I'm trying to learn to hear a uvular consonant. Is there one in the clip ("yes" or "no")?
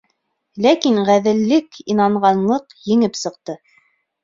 yes